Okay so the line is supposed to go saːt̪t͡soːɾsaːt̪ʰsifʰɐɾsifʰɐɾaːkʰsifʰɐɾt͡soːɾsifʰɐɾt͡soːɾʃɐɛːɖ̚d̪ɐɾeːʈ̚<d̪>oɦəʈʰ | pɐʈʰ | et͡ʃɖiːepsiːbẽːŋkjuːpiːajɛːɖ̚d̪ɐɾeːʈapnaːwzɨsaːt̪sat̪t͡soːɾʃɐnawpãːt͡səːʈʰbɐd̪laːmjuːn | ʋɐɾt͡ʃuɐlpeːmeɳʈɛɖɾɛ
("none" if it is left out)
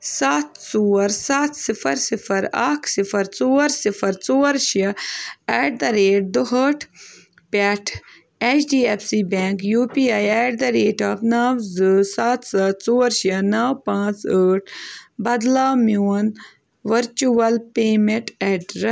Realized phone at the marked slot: d̪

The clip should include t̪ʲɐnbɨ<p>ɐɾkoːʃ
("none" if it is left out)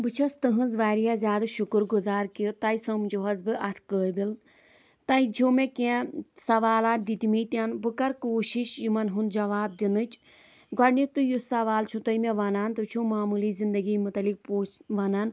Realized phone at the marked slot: k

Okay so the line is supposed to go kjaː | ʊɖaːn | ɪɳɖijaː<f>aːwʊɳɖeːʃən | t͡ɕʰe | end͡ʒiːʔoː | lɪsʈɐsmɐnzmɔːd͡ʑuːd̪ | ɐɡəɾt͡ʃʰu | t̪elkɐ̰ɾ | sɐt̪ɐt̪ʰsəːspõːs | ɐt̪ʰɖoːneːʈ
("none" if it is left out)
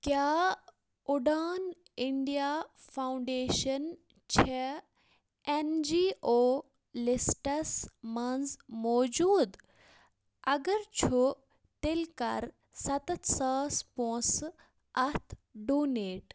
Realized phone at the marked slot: f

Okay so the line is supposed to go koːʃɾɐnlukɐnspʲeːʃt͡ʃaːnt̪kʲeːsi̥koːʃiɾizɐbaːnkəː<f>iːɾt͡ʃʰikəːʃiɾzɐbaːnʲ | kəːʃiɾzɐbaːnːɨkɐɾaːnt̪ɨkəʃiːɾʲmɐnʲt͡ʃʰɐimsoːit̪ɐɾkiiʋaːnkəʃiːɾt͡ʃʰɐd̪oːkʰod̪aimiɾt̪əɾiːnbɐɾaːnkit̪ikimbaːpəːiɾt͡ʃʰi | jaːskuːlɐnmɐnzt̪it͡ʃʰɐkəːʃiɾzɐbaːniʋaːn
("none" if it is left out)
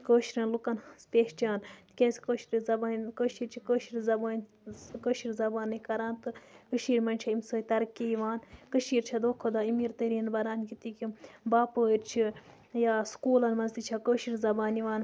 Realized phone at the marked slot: ʃ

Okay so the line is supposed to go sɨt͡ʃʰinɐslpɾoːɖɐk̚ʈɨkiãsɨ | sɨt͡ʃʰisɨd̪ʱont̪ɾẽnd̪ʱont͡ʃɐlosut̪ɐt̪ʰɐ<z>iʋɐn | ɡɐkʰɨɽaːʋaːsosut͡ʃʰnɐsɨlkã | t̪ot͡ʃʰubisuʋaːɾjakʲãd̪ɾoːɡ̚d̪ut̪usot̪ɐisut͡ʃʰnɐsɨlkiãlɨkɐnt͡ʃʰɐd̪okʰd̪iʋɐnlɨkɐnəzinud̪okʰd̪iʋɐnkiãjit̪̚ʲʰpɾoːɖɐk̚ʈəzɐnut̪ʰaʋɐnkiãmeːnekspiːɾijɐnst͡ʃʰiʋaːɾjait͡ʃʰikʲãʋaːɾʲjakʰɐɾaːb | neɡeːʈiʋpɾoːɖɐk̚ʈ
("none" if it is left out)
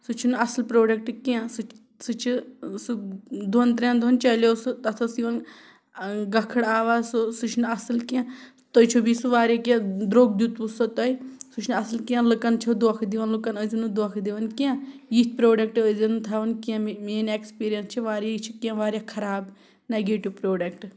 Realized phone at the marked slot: s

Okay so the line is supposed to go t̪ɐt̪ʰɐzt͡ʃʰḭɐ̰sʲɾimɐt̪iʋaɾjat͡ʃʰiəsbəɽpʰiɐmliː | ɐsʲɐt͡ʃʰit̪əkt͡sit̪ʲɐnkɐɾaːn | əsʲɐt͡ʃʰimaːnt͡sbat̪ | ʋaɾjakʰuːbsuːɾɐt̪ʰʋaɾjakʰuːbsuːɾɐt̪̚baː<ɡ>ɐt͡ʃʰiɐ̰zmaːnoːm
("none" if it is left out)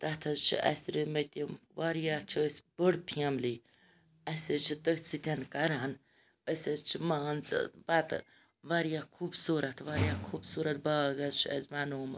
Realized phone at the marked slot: ɡ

